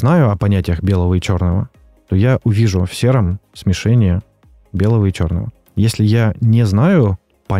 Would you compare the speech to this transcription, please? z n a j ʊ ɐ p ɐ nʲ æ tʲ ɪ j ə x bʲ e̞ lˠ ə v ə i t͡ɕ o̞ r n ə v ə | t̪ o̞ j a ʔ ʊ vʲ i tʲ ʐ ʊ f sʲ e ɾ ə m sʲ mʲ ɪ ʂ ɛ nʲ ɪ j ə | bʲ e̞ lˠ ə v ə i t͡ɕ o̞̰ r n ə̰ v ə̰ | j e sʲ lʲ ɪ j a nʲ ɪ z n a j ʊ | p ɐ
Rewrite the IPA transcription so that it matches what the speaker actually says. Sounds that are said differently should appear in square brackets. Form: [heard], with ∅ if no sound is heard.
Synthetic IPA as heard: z n a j ʊ ɐ p ɐ nʲ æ tʲ ɪ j ə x bʲ e̞ lˠ ə v ə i t͡ɕ o̞ r n ə v ə | t̪ o̞ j a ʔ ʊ vʲ i [∅] ʐ ʊ f sʲ e ɾ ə m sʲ mʲ ɪ ʂ ɛ nʲ ɪ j ə | bʲ e̞ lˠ ə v ə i t͡ɕ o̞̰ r n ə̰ v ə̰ | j e sʲ lʲ ɪ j a nʲ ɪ z n a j ʊ | p ɐ